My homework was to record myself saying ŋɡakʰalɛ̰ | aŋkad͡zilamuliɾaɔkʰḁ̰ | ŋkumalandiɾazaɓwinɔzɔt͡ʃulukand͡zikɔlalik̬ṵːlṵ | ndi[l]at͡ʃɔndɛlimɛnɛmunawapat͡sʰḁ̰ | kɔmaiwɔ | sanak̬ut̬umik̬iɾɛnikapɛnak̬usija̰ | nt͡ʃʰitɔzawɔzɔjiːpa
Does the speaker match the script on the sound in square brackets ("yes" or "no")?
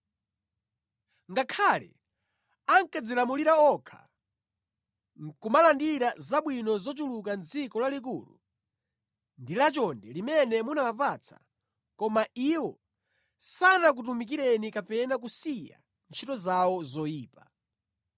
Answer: yes